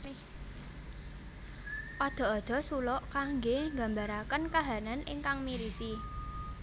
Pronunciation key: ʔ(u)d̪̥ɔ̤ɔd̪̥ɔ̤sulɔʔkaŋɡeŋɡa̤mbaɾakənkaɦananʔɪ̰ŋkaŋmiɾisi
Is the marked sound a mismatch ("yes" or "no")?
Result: yes